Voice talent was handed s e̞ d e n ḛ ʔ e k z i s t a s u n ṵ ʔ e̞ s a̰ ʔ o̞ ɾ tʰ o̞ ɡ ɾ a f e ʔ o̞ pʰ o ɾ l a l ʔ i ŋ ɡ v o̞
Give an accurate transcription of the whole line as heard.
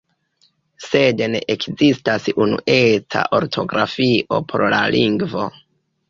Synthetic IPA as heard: s e̞ d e n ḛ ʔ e k z i s t a s u n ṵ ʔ e̞ t͡s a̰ ʔ o̞ ɾ tʰ o̞ ɡ ɾ a f i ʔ o̞ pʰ o ɾ l a l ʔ i ŋ ɡ v o̞